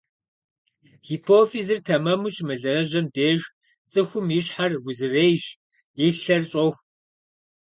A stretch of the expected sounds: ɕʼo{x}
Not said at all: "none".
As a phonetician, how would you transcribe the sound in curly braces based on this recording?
x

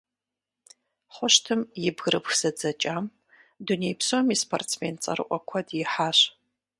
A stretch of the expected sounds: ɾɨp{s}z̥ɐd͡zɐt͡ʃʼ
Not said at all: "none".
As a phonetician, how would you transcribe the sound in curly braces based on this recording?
x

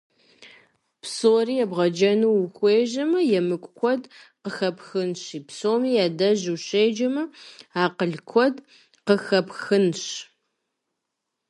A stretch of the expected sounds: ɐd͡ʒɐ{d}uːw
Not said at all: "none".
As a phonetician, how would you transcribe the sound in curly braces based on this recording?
n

